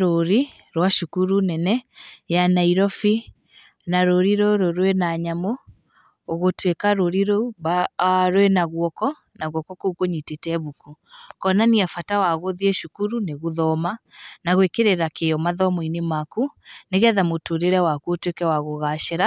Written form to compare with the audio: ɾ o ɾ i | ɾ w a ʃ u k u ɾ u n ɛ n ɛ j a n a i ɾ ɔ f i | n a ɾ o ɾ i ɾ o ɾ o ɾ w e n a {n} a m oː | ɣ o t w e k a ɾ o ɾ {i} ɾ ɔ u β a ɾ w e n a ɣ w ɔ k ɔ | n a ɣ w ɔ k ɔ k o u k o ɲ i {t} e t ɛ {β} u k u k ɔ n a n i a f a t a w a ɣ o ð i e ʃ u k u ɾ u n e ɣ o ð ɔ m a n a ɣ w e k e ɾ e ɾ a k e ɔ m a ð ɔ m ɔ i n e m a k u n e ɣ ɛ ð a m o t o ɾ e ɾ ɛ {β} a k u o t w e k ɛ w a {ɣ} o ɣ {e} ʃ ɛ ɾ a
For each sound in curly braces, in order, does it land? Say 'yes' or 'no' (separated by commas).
no, yes, yes, yes, no, yes, no